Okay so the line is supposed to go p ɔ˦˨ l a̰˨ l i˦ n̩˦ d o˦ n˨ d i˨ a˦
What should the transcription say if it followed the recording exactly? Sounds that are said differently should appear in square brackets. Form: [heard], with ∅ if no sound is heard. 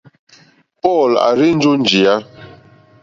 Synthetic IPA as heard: p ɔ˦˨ l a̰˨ [ɾ] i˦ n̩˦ [d͡ʒ] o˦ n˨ [d͡ʒ] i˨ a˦